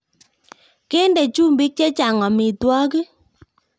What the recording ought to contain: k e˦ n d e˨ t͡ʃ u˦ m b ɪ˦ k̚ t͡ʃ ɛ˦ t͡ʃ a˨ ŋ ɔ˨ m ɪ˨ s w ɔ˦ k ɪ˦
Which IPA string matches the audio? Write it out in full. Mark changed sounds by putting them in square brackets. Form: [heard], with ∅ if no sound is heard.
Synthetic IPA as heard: k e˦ n d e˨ t͡ʃ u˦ m b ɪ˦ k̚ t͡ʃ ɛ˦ t͡ʃ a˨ ŋ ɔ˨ m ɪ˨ [t] w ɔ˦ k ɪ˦

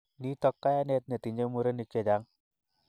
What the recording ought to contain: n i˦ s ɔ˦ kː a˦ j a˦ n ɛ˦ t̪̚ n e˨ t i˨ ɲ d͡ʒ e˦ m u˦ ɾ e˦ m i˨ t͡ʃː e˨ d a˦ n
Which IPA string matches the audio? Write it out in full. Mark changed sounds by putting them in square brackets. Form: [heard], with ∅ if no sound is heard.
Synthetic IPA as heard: n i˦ [t] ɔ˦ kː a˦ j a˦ n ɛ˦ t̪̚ n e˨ t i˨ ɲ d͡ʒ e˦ m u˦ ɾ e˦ [n] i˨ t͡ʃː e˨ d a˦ [ŋ]

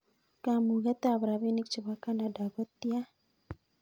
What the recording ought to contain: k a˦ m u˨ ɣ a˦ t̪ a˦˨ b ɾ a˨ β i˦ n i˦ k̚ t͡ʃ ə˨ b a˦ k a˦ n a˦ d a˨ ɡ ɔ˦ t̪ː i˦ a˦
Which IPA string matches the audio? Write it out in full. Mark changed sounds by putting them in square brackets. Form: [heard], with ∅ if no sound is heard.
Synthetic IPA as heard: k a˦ m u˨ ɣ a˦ t̪ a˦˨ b ɾ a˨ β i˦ n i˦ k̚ t͡ʃ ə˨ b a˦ k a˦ n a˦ d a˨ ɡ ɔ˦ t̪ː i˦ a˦

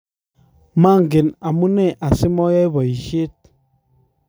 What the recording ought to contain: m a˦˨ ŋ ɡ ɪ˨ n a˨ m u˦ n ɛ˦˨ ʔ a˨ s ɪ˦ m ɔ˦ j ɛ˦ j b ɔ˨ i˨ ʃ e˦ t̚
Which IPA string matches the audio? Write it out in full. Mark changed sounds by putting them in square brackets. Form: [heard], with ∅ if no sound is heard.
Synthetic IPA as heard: m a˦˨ ŋ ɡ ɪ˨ n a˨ m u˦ n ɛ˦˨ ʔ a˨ s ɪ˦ m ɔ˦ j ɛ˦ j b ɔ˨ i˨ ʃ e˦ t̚

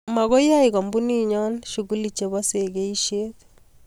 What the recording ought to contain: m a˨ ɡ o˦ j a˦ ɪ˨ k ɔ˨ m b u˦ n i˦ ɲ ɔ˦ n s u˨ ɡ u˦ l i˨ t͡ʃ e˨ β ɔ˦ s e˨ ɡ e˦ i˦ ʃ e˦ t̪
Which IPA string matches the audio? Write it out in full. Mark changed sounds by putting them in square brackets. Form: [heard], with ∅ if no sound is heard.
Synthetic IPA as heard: m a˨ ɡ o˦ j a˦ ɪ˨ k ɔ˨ m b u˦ n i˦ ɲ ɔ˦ n [ʃ] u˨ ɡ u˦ l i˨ t͡ʃ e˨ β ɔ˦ s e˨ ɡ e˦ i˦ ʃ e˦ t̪

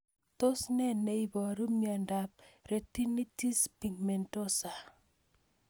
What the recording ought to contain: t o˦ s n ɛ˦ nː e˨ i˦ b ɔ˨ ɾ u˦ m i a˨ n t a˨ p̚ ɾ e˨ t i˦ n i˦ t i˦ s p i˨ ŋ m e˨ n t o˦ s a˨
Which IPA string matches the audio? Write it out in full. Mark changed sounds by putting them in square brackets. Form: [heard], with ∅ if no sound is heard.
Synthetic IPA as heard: t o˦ s n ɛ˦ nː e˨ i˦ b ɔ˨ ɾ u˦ m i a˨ n [d] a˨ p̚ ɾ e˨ t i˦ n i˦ t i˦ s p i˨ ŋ m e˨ n t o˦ s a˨

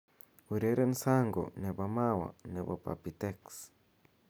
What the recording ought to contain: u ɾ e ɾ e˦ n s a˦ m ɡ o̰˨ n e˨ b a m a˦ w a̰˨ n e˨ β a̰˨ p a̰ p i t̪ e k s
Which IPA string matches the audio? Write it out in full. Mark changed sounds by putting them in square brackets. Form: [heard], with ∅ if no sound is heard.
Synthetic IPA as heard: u ɾ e ɾ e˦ n s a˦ [ŋ] ɡ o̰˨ n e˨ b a m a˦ w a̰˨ n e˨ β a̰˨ p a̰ p i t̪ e k s

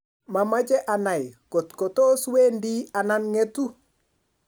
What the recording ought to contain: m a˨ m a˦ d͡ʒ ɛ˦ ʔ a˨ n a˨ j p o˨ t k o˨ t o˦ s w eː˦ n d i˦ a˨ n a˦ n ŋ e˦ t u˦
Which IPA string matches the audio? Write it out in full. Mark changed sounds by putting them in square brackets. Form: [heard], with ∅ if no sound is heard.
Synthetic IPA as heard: m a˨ m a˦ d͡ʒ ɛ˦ ʔ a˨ n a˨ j [k] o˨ t k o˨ t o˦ s w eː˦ n d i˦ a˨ n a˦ n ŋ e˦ t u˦

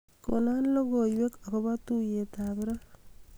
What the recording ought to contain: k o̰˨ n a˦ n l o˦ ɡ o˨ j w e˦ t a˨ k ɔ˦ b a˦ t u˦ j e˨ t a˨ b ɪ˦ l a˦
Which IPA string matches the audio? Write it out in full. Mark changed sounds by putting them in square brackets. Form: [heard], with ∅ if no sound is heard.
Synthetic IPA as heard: k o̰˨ n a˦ n l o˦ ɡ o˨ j w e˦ [k] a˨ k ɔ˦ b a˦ t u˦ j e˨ t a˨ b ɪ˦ [ɾ] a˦

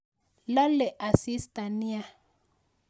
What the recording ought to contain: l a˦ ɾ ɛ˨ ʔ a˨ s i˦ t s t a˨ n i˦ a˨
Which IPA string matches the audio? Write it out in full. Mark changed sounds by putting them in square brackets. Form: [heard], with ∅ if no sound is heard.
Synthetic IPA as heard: l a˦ [l] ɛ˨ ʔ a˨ s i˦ [∅] s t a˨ n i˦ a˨

